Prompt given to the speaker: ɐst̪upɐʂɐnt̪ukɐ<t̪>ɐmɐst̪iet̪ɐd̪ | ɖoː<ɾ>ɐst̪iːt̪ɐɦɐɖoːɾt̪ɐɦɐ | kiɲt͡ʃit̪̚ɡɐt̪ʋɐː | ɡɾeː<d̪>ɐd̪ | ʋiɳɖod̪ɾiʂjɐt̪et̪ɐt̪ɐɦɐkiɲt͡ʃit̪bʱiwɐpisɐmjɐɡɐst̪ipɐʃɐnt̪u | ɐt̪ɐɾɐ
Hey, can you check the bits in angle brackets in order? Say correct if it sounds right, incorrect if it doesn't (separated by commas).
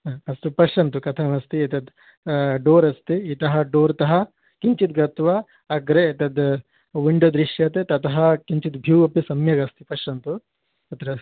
incorrect, correct, incorrect